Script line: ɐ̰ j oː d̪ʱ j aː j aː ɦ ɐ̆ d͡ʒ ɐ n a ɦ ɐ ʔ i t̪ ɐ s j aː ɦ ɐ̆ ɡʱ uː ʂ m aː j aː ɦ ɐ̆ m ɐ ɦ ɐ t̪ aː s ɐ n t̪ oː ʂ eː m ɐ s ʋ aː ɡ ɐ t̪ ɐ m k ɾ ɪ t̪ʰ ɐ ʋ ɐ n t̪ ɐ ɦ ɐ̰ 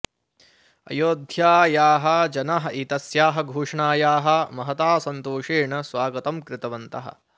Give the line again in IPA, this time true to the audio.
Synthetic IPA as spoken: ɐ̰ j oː d̪ʱ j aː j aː ɦ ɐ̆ d͡ʒ ɐ n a ɦ ɐ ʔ i t̪ ɐ s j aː ɦ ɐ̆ ɡʱ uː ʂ ɳ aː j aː ɦ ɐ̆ m ɐ ɦ ɐ t̪ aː s ɐ n t̪ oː ʂ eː ɳ ɐ s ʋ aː ɡ ɐ t̪ ɐ m k ɾ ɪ t̪ ɐ ʋ ɐ n t̪ ɐ ɦ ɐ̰